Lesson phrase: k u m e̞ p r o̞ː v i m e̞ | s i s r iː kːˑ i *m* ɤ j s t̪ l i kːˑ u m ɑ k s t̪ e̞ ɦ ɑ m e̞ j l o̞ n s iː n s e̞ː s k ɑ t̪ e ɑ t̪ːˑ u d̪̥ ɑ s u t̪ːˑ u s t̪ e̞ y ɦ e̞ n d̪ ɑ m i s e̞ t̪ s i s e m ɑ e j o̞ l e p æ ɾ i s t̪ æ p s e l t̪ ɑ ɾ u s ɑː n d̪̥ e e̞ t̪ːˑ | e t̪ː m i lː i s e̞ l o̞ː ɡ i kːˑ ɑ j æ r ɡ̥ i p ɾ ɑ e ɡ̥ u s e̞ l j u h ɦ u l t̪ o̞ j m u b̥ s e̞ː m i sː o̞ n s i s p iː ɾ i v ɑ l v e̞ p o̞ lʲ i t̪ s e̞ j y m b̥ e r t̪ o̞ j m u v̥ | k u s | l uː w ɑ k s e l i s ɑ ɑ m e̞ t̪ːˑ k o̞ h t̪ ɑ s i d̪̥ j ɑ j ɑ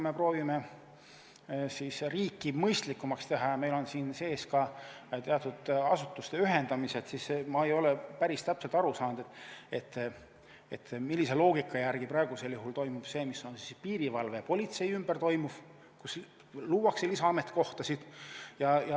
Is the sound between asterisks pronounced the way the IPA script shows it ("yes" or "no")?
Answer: yes